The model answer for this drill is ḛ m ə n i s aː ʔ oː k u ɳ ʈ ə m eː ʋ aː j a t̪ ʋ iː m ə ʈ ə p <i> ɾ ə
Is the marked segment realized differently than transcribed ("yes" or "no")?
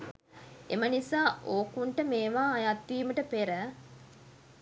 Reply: yes